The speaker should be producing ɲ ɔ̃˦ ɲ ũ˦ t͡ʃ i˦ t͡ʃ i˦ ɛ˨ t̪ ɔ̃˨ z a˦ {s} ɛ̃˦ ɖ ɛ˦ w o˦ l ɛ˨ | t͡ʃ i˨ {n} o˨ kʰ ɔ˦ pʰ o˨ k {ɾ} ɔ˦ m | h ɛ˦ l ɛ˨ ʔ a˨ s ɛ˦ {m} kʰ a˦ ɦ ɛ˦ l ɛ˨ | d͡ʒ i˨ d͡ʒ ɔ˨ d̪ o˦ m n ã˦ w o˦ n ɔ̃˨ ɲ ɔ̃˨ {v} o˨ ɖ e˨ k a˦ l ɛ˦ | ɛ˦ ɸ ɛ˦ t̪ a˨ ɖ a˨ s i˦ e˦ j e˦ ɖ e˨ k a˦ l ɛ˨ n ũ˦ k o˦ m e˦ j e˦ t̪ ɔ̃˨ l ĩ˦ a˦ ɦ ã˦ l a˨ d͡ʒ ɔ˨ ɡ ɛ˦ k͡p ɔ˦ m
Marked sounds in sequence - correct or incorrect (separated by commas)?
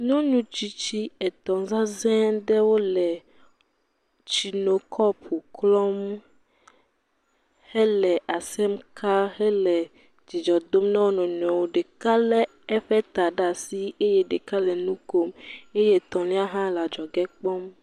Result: incorrect, correct, incorrect, correct, incorrect